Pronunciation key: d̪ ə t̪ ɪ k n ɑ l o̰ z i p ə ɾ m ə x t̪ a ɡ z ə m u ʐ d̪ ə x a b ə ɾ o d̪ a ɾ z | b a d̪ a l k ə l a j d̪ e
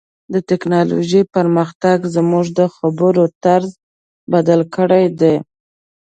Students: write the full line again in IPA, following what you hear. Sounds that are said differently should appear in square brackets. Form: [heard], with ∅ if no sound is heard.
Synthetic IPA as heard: d̪ ə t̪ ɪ k n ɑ l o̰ [ʒ] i p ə ɾ m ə x t̪ a ɡ z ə m u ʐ d̪ ə x a b ə ɾ o [t̪] a ɾ z | b a d̪ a l k ə [ɽ] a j d̪ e